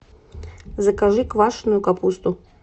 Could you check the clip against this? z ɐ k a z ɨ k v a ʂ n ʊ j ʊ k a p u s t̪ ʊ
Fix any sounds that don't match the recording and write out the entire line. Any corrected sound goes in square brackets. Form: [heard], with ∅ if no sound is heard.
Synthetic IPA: z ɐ k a [ʐ] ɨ k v a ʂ n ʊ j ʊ k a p u s t̪ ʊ